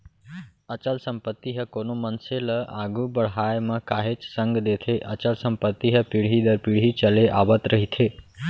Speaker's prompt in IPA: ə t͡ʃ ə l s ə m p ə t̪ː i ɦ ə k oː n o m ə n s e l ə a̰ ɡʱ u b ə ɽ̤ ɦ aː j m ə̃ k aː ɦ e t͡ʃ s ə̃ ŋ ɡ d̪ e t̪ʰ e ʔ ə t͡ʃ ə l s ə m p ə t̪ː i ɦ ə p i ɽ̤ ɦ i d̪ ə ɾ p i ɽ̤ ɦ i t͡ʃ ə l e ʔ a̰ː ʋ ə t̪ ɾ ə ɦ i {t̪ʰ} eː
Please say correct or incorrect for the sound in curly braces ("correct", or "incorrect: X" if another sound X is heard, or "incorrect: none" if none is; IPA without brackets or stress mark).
correct